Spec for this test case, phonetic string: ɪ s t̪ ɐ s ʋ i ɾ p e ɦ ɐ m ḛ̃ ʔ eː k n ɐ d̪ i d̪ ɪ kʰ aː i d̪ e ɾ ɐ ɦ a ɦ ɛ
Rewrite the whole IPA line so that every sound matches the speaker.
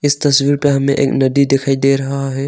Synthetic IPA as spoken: ɪ s t̪ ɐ s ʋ i ɾ p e ɦ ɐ m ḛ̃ ʔ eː k n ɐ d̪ i d̪ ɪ kʰ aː i d̪ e ɾ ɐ ɦ a ɦ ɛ